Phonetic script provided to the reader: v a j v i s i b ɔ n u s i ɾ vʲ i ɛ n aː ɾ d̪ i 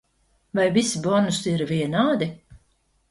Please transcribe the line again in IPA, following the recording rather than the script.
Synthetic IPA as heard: v a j v i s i b ɔ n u s i ɾ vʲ i ɛ n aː d̪ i